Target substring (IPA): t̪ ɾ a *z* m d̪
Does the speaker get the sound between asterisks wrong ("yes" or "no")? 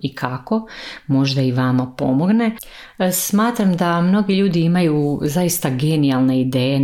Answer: yes